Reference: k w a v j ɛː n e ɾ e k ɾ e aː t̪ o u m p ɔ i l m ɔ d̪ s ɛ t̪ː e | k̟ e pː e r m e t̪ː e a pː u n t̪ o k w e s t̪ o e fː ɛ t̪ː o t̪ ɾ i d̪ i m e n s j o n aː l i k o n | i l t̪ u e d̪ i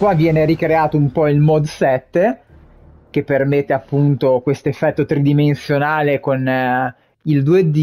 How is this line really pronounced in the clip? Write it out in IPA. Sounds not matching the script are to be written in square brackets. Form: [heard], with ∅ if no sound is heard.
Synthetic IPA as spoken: k w a v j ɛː n e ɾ [i] k ɾ e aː t̪ o u m p ɔ i l m ɔ d̪ s ɛ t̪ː e | k̟ e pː e r m e t̪ː e a pː u n t̪ o k w e s t̪ o e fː ɛ t̪ː o t̪ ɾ i d̪ i m e n s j o n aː l [e] k o n | i l [d̪] u e d̪ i